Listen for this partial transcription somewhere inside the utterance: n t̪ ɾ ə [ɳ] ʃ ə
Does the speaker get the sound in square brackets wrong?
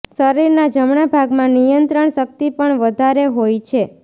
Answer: no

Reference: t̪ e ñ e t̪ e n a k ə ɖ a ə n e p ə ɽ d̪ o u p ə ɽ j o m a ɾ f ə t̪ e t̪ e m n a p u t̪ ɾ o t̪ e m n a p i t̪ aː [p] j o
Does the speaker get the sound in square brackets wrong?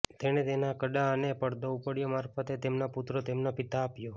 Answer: no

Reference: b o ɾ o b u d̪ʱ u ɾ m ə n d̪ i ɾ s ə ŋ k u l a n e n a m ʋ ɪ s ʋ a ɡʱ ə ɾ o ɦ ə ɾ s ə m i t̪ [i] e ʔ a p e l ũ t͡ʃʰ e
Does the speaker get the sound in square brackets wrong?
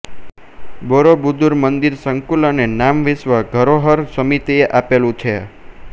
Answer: no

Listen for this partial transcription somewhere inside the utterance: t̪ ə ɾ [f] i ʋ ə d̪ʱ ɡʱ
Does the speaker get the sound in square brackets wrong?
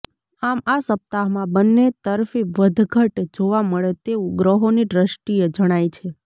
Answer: no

